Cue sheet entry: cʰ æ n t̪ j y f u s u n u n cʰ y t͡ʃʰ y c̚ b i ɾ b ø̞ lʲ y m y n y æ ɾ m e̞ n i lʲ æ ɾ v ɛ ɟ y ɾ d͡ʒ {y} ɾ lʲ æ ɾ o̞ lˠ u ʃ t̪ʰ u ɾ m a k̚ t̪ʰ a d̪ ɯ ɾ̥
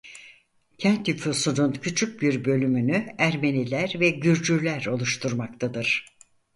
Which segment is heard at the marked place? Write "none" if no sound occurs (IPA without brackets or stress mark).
y